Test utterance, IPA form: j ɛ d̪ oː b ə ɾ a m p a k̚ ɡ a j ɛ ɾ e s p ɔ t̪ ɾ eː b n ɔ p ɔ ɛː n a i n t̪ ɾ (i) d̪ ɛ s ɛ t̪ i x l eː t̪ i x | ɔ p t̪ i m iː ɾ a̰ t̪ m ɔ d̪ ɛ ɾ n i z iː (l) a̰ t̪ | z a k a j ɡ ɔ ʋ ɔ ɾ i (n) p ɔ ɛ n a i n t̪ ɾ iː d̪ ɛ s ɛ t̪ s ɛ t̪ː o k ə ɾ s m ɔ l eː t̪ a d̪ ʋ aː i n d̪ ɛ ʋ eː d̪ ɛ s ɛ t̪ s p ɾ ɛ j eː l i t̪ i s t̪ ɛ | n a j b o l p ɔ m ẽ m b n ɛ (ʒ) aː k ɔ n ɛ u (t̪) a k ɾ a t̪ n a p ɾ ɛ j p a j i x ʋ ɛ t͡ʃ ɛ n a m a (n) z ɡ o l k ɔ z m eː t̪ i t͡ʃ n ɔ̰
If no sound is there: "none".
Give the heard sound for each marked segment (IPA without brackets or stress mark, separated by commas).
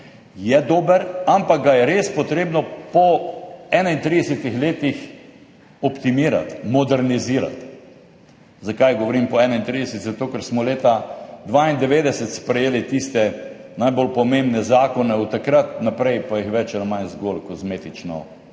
i, ɾ, m, z, t̪, n